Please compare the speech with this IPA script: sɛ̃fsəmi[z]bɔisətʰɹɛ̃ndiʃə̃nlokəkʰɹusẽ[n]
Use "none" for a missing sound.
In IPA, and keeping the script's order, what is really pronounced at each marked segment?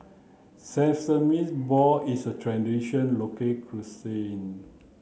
s, n

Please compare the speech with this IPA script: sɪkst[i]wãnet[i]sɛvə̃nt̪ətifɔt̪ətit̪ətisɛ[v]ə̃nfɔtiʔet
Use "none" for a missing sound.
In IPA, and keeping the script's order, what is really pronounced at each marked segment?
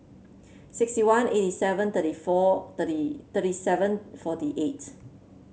i, i, v

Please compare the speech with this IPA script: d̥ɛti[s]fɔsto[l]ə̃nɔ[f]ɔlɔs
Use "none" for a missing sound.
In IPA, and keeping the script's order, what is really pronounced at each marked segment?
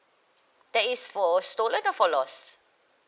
s, l, f

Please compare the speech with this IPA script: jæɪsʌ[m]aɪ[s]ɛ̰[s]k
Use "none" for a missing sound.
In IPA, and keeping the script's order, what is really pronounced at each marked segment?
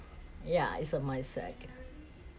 m, s, none

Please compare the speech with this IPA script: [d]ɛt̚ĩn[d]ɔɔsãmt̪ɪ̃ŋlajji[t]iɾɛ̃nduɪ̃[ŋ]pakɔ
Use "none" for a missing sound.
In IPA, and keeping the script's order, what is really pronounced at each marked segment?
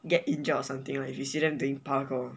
ɡ, d͡ʒ, s, ŋ

